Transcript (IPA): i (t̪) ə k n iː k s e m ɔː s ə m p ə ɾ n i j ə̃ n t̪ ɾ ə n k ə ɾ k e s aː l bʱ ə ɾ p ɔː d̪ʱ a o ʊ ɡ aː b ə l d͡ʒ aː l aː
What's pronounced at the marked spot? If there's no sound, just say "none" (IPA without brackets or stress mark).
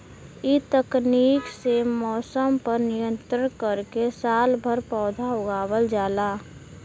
t̪